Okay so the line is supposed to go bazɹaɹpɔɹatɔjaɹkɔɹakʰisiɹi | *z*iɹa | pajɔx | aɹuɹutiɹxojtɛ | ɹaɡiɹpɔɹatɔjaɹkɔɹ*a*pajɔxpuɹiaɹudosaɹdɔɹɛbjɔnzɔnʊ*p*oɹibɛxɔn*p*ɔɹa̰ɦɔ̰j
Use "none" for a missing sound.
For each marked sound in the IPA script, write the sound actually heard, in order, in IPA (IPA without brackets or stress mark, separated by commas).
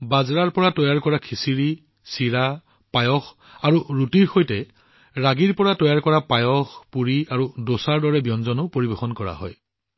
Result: s, a, p, k